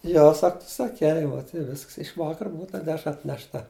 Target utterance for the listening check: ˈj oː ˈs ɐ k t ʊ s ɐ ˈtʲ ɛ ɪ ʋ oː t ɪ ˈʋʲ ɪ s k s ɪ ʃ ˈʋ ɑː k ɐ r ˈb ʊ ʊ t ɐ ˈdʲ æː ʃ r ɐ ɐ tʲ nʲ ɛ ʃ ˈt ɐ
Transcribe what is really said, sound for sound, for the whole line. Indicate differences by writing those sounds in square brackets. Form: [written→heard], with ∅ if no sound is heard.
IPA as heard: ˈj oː ˈs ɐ k t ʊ s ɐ [ˈtʲ→ˈkʲ] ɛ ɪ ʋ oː t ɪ ˈʋʲ ɪ s k s ɪ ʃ ˈʋ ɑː k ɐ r ˈb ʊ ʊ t ɐ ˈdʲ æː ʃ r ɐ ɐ tʲ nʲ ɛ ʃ ˈt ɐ